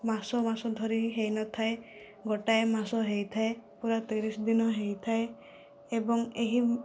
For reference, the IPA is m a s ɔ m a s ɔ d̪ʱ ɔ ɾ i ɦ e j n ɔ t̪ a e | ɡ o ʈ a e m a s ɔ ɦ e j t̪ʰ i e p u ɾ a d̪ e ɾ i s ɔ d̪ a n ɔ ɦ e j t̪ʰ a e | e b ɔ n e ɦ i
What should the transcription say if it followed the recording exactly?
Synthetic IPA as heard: m a s ɔ m a s ɔ d̪ʱ ɔ ɾ i ɦ e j n ɔ t̪ʰ a e | ɡ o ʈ a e m a s ɔ ɦ e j t̪ʰ a e p u ɾ a t̪ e ɾ i s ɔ d̪ i n ɔ ɦ e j t̪ʰ a e | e b ɔ ŋ e ɦ i

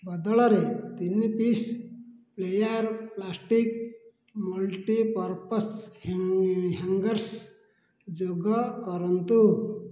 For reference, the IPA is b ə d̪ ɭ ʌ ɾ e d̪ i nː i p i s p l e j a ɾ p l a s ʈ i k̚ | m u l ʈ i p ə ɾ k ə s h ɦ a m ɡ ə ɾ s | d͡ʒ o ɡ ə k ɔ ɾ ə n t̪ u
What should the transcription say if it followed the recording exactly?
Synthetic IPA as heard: b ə d̪ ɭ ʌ ɾ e t̪ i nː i p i s p l e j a ɾ p l a s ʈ i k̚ | m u l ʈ i p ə ɾ p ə s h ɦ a ŋ ɡ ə ɾ s | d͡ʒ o ɡ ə k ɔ ɾ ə n t̪ u

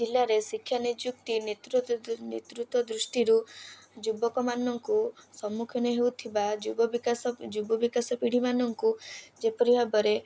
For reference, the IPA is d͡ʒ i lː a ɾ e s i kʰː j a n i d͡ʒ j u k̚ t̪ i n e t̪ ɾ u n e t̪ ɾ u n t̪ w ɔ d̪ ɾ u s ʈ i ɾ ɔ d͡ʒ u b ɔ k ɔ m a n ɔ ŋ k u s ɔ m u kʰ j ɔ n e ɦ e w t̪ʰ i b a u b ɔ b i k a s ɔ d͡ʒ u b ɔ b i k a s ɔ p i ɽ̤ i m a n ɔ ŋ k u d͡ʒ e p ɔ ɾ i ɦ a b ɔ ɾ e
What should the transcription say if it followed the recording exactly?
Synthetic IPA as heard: d͡ʒ i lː a ɾ e s i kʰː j a n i d͡ʒ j u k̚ t̪ i n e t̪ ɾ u n e t̪ ɾ u t̪ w ɔ d̪ ɾ u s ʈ i ɾ u d͡ʒ u b ɔ k ɔ m a n ɔ ŋ k u s ɔ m u kʰ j ɔ n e ɦ e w t̪ʰ i b a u b ɔ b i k a s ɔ d͡ʒ u b ɔ b i k a s ɔ p i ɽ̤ i m a n ɔ ŋ k u d͡ʒ e p ɔ ɾ i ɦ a b ɔ ɾ e

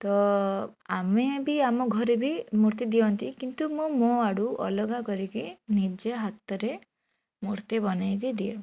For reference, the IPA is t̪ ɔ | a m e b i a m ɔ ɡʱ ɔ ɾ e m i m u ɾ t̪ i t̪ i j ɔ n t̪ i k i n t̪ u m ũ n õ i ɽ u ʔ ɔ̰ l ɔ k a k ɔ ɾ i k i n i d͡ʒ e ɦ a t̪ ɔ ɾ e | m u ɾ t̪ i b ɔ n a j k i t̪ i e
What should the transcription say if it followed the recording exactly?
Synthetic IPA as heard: t̪ ɔ | a m e b i a m ɔ ɡʱ ɔ ɾ e b i m u ɾ t̪ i d̪ i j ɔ n t̪ i k i n t̪ u m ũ m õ a ɽ u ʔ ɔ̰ l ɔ ɡ a k ɔ ɾ i k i n i d͡ʒ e ɦ a t̪ ɔ ɾ e | m u ɾ t̪ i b ɔ n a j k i d̪ i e

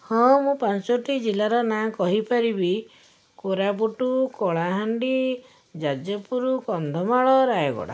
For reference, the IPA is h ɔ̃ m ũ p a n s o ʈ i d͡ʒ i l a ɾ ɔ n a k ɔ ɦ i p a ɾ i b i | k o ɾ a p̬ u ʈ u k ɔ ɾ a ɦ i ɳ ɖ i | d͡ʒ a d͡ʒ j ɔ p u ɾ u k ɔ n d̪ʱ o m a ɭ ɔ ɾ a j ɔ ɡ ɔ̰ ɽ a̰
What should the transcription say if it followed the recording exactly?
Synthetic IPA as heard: h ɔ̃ m ũ p a n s o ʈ i d͡ʒ i l a ɾ ɔ n a k ɔ ɦ i p a ɾ i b i | k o ɾ a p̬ u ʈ u k ɔ ɭ a ɦ a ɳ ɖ i | d͡ʒ a d͡ʒ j ɔ p u ɾ u k ɔ n d̪ʱ ɔ m a ɭ ɔ ɾ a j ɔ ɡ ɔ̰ ɽ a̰

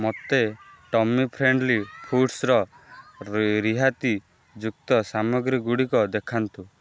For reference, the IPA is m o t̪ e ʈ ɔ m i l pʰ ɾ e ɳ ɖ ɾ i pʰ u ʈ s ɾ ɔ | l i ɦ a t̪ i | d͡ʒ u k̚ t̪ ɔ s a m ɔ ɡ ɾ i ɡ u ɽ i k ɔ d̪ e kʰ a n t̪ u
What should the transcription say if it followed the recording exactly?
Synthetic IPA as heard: m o t̪ e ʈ ɔ m i pʰ ɾ e ɳ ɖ l i pʰ u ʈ s ɾ ɔ | ɾ i ɦ a t̪ i | d͡ʒ u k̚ t̪ ɔ s a m ɔ ɡ ɾ i ɡ u ɽ i k ɔ d̪ e kʰ a n t̪ u

